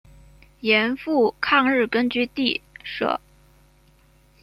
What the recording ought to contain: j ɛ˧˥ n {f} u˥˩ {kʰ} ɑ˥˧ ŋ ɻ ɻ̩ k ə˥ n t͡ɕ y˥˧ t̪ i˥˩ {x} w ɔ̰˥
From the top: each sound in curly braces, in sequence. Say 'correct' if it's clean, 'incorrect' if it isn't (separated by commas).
correct, correct, incorrect